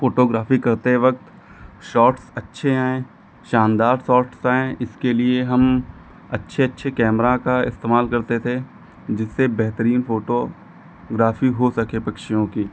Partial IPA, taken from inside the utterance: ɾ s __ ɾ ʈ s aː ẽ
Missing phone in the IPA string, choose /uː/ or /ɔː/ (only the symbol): ɔː